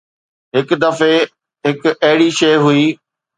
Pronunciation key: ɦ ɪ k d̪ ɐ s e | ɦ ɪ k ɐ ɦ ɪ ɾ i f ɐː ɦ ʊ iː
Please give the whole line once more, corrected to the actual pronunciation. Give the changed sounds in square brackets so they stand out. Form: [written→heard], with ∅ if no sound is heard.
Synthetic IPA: ɦ ɪ k d̪ ɐ [s→f] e | ɦ ɪ k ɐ ɦ ɪ [ɾ→ɽ] i [f→ʃ] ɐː ɦ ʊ iː